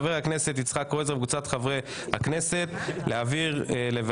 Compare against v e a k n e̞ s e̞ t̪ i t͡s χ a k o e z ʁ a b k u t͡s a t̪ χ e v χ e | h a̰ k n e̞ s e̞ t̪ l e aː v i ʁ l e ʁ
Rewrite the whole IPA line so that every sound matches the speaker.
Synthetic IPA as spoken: v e a k n e̞ s e̞ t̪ i t͡s χ a k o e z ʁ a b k u t͡s a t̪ χ a v ʁ e | h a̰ k n e̞ s e̞ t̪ l e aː v i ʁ l e v